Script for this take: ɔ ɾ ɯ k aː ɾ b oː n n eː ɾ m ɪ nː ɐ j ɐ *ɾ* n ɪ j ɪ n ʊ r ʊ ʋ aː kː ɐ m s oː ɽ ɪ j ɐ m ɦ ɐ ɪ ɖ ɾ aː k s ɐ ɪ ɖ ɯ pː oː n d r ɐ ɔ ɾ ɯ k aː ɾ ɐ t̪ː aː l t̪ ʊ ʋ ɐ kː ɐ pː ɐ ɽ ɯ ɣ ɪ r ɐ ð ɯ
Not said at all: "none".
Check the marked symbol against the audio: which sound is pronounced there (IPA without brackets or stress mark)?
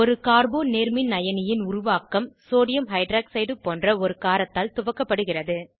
none